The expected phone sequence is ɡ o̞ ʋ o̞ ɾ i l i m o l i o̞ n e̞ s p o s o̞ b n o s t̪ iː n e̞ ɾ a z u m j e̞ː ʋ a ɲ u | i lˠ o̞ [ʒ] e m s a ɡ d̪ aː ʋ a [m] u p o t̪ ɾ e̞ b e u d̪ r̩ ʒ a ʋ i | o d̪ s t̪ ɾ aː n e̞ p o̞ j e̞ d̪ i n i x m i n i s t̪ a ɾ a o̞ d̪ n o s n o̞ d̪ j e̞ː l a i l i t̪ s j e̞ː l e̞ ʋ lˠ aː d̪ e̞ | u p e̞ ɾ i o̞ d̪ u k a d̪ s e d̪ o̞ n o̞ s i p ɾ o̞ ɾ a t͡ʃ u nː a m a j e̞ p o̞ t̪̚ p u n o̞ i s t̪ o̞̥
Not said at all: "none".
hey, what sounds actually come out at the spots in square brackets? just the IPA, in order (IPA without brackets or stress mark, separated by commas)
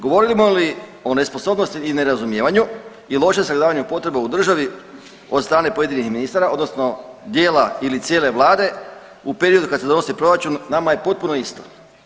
ʃ, ɲ